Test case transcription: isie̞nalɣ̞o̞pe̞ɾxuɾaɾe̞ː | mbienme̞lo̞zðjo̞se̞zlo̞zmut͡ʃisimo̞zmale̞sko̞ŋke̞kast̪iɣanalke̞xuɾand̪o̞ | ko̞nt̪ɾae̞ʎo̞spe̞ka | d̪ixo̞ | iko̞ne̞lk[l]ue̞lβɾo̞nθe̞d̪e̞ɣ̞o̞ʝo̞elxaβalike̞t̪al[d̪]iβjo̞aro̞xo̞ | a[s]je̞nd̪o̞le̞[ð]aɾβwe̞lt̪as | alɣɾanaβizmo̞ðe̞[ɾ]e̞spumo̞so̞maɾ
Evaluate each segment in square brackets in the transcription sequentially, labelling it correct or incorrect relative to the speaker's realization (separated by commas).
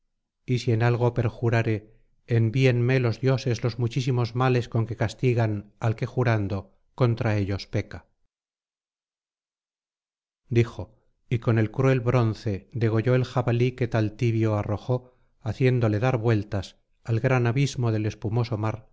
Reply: incorrect, incorrect, incorrect, correct, incorrect